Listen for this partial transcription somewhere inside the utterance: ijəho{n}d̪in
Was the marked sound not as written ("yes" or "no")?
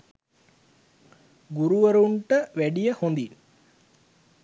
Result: no